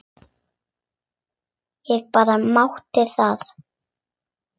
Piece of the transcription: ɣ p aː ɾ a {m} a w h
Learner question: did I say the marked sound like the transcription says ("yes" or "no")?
yes